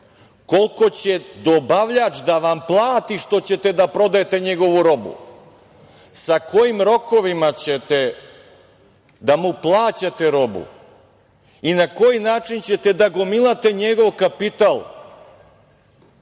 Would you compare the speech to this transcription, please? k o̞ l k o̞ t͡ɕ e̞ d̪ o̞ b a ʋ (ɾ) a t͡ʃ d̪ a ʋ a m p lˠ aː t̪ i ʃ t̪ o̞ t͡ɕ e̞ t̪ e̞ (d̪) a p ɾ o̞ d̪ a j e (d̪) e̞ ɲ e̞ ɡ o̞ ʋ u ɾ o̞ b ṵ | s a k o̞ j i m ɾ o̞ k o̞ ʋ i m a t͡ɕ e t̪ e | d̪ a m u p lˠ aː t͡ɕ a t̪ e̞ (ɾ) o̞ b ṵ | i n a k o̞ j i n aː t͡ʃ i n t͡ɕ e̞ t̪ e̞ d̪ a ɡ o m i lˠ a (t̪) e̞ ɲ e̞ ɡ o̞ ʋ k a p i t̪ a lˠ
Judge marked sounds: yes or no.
no, yes, no, yes, yes

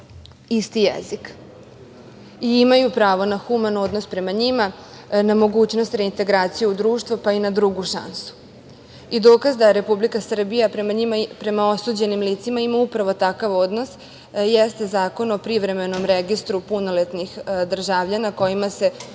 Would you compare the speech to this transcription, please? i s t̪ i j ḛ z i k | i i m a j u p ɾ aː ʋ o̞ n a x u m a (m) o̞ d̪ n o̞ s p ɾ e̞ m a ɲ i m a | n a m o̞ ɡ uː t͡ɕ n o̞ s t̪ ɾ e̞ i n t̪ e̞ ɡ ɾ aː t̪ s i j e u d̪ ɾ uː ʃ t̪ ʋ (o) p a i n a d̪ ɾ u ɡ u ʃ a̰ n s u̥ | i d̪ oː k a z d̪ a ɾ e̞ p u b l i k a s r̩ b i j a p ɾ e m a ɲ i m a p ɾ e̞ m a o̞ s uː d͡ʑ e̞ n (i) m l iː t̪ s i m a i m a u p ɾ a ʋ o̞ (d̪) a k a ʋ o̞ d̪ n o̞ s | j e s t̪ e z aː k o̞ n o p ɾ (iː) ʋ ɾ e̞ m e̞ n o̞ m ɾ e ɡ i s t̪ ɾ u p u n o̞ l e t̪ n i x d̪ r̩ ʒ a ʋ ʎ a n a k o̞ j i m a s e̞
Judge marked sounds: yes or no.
no, yes, yes, no, no

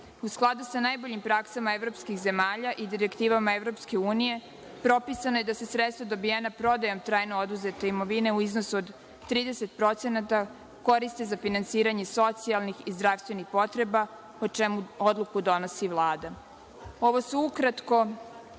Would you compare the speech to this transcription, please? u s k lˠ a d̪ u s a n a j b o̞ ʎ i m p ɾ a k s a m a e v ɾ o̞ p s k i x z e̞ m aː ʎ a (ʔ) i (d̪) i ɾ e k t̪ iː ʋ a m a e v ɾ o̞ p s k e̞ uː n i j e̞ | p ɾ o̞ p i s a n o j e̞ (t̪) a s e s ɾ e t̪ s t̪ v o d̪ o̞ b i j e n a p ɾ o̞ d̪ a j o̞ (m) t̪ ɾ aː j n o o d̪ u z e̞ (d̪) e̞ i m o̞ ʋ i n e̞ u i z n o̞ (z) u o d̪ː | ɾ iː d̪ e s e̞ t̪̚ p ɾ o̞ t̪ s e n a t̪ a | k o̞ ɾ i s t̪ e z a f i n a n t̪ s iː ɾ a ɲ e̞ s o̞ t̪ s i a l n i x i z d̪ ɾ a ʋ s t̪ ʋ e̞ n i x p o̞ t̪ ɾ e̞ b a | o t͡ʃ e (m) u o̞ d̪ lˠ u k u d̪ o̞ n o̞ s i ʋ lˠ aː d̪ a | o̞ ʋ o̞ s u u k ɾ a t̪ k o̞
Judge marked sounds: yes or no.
yes, yes, no, yes, no, no, yes

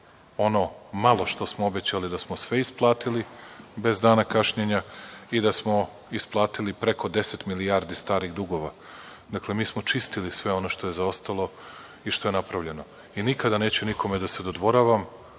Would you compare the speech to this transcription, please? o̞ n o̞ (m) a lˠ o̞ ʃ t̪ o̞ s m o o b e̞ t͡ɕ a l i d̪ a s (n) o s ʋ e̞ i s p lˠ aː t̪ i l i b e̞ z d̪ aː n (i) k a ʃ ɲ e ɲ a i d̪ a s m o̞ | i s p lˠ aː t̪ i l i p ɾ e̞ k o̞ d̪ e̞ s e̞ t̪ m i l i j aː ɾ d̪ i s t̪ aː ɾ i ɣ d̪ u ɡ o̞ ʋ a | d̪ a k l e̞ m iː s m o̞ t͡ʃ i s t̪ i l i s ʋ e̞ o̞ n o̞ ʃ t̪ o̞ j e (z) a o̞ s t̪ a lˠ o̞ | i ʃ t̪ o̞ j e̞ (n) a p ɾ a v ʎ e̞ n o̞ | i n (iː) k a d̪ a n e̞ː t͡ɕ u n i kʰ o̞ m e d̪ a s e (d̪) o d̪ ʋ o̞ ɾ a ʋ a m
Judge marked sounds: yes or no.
yes, no, no, yes, yes, no, yes

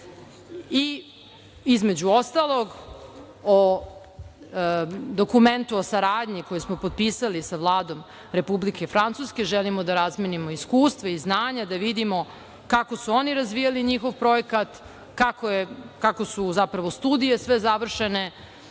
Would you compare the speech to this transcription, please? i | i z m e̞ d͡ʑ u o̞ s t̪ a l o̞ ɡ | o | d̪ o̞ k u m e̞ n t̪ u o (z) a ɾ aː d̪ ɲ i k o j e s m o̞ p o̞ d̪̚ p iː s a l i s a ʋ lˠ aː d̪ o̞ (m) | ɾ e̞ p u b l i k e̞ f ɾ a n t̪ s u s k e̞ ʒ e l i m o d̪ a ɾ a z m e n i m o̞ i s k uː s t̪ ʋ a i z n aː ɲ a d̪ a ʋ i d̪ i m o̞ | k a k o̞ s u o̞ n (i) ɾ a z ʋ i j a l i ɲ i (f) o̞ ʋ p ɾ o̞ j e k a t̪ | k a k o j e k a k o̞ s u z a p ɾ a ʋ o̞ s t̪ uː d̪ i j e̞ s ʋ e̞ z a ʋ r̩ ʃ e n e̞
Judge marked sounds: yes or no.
no, yes, yes, no

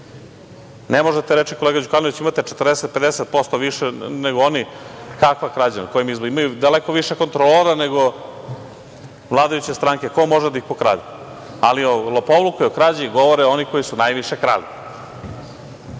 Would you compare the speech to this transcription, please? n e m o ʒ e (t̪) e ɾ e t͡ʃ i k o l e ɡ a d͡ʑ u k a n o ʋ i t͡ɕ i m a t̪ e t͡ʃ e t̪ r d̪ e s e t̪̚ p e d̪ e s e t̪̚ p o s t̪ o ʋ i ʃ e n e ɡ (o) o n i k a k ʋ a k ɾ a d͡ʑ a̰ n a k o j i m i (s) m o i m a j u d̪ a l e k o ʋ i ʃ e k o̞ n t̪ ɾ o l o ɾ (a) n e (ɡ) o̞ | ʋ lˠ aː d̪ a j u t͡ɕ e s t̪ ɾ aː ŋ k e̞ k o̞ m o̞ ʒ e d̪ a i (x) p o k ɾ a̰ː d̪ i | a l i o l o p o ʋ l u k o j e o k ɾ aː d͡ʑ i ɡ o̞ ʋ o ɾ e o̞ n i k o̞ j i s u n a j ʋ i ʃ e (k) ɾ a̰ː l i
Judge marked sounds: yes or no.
yes, yes, no, yes, yes, yes, yes

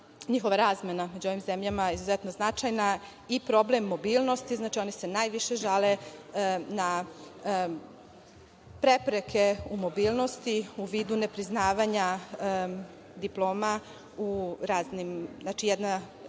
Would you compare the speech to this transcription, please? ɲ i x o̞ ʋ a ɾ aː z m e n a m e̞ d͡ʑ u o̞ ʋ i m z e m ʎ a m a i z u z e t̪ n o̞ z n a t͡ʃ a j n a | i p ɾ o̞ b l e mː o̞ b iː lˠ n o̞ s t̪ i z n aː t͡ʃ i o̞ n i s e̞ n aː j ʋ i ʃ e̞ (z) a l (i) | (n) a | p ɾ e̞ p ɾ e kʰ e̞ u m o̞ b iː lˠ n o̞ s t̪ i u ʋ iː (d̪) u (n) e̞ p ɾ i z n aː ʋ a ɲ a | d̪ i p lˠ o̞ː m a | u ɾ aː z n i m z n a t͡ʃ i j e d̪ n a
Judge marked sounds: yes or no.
no, no, yes, yes, yes

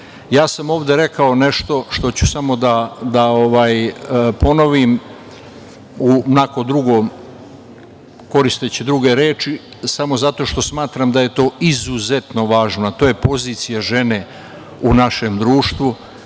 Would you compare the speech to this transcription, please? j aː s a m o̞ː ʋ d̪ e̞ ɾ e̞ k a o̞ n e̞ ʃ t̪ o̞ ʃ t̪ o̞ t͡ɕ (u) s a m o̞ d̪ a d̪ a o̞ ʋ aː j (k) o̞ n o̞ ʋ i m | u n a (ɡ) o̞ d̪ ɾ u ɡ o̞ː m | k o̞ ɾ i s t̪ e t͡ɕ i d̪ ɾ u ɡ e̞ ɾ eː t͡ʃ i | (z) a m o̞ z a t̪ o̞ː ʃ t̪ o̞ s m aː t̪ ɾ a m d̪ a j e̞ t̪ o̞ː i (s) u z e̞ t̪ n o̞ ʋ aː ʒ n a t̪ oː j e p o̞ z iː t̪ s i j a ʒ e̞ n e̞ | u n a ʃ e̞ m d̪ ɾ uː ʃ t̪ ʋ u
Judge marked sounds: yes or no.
yes, no, no, no, no

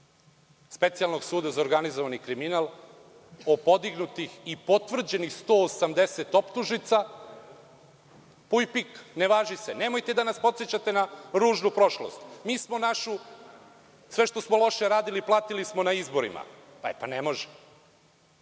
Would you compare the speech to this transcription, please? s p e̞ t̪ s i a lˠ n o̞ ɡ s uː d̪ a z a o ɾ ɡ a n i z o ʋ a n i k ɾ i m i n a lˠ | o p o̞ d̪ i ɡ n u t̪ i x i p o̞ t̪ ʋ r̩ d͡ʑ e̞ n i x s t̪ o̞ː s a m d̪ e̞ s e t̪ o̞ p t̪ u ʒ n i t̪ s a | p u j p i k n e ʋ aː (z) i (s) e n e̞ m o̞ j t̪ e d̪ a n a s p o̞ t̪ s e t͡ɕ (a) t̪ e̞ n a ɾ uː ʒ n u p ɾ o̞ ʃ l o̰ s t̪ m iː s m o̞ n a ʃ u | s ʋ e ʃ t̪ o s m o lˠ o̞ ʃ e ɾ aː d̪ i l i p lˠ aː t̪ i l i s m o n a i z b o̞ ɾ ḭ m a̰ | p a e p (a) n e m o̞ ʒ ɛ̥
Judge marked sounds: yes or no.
no, yes, yes, yes

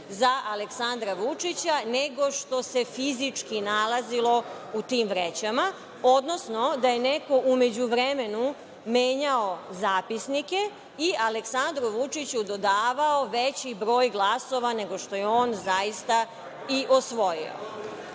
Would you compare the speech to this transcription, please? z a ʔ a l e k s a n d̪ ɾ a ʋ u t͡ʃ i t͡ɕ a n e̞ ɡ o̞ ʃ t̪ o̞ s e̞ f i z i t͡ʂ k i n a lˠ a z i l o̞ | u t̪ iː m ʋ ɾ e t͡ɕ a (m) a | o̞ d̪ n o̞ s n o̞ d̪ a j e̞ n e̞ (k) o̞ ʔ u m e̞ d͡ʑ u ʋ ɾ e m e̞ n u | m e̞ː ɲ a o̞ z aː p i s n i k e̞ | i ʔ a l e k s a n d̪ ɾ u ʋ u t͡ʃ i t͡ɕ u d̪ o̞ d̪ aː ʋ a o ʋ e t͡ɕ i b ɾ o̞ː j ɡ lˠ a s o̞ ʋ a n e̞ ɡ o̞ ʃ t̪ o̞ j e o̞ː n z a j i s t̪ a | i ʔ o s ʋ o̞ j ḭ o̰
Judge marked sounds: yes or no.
yes, yes

